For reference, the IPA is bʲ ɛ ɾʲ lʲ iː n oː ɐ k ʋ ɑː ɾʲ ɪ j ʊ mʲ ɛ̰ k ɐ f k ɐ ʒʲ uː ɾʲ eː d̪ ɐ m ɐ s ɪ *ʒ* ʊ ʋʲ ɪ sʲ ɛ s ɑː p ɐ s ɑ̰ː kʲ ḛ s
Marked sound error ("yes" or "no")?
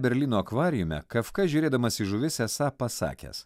no